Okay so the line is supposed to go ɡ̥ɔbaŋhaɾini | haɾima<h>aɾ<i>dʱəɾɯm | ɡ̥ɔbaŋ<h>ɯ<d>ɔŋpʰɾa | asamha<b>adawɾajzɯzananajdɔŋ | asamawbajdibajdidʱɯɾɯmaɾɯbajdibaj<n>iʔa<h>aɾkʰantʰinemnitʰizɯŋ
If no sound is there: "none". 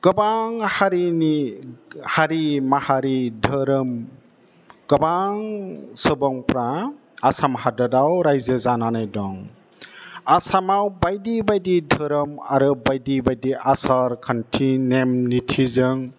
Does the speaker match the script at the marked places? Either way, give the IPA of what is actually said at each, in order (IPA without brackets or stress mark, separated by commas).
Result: h, i, s, b, d, d, s